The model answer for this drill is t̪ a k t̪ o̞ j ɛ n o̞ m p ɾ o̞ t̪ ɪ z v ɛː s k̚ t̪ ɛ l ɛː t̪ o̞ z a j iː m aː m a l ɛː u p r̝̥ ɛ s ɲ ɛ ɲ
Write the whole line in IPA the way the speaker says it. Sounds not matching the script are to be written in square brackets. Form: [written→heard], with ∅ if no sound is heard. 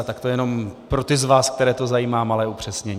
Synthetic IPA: t̪ a k t̪ o̞ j ɛ n o̞ m p ɾ o̞ t̪ ɪ z v [ɛː→aː] s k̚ t̪ ɛ [l→ɾ] ɛː t̪ o̞ z a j iː m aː m a l ɛː u p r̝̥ ɛ s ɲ ɛ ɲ